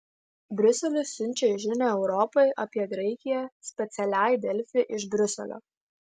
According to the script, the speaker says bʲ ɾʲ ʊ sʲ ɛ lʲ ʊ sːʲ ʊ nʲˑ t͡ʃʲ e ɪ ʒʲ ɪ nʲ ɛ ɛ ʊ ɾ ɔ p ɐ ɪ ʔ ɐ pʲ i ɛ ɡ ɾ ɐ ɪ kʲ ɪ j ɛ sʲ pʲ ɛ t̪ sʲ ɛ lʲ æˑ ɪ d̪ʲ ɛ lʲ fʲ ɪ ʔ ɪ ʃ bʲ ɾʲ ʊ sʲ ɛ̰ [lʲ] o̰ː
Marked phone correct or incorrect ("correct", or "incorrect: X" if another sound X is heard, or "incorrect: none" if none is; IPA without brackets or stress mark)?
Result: correct